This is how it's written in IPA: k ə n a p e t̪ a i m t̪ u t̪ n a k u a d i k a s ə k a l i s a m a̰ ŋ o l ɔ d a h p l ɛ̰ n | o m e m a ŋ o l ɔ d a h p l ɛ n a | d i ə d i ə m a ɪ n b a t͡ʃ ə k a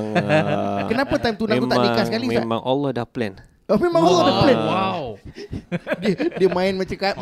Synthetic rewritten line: k ə n a p a t̪ a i m t̪ u n a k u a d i k a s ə k a l i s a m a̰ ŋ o l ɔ d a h p l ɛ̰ n | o m e m a ŋ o l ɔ d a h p l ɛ n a | d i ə d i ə m a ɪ n m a t͡ʃ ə k a